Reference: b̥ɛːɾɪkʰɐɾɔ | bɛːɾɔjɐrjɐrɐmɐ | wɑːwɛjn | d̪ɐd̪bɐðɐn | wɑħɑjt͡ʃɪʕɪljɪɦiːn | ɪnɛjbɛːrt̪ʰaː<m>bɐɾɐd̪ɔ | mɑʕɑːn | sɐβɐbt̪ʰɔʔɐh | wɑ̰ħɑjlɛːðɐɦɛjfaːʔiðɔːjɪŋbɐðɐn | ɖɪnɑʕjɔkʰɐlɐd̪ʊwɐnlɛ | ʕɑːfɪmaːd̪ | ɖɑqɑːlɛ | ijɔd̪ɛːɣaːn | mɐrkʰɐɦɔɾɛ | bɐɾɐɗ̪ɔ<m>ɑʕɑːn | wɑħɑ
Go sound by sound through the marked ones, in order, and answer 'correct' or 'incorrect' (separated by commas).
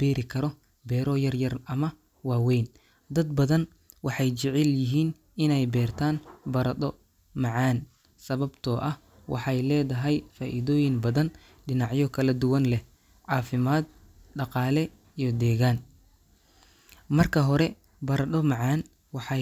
incorrect, correct